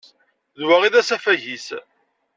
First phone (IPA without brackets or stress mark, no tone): ð